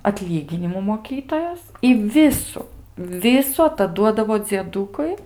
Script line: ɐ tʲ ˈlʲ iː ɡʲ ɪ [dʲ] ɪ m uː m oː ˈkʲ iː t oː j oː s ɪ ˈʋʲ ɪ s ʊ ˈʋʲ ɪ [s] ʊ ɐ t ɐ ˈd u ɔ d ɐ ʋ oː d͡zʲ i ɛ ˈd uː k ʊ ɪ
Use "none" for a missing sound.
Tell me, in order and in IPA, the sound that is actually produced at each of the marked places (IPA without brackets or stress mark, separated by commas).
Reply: nʲ, s